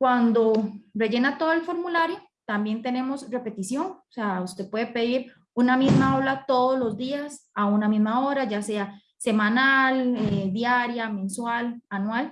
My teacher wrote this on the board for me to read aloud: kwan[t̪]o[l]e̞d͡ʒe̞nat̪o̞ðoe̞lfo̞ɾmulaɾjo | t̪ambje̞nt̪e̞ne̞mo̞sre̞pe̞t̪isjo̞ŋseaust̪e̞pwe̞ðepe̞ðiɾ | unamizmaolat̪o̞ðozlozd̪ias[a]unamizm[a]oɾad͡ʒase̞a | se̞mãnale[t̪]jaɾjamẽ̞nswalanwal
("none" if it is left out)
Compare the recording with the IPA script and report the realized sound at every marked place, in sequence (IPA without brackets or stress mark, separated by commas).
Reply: d̪, r, a, a, d̪